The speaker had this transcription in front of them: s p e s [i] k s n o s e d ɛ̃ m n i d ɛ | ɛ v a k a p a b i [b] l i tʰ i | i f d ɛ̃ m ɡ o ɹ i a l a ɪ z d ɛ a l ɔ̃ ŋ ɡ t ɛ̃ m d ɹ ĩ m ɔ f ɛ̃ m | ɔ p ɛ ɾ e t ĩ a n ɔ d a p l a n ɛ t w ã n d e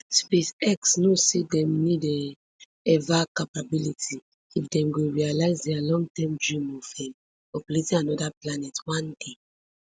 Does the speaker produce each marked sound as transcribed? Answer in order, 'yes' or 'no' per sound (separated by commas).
no, no